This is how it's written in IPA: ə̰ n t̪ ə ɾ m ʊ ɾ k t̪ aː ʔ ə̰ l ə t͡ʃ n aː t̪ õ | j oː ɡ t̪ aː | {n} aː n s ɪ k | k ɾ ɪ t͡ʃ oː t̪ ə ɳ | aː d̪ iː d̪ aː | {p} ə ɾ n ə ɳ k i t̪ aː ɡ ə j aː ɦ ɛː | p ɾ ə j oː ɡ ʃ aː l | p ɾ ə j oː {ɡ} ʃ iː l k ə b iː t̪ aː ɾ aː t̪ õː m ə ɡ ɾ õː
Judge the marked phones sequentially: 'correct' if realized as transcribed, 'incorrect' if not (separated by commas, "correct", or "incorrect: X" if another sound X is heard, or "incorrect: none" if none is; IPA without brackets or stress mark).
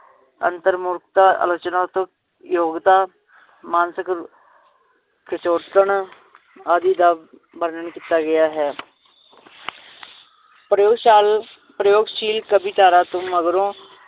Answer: incorrect: m, incorrect: b, correct